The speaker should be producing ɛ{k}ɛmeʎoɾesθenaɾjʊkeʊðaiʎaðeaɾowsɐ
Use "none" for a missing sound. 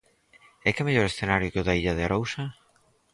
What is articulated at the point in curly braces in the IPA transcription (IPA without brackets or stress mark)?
k